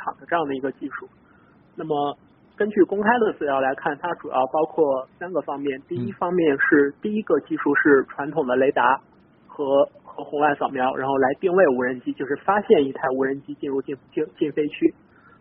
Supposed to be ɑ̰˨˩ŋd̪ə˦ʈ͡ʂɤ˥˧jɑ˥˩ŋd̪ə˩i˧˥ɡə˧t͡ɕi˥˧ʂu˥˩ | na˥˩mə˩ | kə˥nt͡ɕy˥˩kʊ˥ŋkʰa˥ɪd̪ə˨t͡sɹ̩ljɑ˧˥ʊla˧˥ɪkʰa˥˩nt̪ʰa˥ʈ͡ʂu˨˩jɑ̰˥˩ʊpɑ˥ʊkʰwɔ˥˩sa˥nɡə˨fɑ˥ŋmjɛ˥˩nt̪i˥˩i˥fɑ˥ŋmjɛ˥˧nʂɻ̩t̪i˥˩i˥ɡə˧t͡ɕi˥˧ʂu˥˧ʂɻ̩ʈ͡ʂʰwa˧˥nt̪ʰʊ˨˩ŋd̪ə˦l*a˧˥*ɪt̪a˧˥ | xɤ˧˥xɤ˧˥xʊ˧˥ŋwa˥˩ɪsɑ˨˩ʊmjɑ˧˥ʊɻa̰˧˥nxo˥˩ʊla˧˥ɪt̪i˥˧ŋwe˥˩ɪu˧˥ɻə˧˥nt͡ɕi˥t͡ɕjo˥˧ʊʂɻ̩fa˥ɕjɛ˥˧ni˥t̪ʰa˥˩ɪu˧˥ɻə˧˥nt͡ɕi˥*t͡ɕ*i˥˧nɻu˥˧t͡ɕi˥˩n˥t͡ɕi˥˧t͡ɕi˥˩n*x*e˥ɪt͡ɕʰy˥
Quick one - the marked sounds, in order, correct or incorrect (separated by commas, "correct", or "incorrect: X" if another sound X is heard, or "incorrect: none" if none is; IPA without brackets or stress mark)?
incorrect: e˧˥, correct, incorrect: f